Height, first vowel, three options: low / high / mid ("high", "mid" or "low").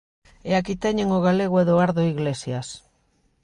mid